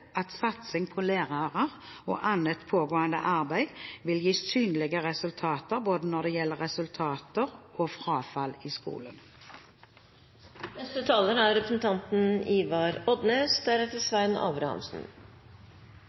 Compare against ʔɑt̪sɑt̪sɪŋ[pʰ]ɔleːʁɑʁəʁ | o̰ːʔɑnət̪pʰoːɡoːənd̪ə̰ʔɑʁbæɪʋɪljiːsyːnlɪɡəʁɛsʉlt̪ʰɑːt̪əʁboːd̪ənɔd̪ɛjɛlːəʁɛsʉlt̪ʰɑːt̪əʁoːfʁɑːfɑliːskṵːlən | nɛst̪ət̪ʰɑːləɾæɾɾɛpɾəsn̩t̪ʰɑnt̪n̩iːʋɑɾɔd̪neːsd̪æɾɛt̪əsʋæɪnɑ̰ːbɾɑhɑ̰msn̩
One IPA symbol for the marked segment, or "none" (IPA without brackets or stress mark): pʰ